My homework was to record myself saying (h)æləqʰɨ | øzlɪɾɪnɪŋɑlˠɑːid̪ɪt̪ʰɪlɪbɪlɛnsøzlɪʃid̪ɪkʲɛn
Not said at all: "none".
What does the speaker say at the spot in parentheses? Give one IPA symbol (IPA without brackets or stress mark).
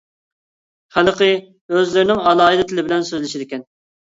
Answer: χ